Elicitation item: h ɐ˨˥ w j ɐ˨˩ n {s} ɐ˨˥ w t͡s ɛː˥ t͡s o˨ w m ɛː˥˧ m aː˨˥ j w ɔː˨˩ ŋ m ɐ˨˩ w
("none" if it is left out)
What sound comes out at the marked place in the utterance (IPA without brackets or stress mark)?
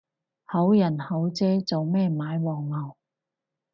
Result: h